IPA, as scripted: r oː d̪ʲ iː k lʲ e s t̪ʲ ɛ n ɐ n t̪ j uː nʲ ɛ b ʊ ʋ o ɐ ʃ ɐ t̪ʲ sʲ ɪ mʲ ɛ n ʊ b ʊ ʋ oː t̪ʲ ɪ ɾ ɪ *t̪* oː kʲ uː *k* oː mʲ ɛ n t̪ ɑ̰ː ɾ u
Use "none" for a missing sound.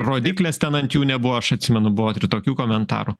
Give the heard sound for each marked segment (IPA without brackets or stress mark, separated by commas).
t̪, k